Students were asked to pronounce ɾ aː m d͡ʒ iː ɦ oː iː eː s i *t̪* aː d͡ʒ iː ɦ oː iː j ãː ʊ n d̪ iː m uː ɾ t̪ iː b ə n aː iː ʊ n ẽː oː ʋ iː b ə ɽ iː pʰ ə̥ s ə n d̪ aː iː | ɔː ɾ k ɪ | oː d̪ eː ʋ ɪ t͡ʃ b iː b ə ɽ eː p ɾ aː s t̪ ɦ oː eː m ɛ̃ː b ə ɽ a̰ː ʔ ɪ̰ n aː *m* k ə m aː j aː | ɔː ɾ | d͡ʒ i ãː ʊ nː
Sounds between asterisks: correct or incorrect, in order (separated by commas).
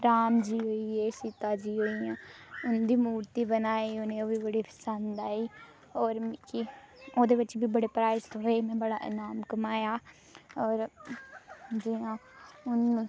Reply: correct, correct